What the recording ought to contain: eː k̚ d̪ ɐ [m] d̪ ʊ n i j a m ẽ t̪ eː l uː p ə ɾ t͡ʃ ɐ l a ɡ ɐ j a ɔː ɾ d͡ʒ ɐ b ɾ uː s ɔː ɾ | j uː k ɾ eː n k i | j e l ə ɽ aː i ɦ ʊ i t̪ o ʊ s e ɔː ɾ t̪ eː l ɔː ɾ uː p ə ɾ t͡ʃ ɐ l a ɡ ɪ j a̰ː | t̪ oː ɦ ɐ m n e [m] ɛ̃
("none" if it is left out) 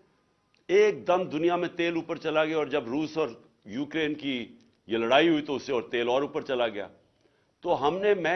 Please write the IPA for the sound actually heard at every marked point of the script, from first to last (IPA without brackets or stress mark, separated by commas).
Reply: m, m